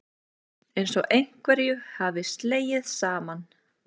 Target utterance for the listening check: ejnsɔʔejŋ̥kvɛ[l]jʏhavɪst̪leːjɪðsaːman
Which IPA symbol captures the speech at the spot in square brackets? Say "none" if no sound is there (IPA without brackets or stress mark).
ɾ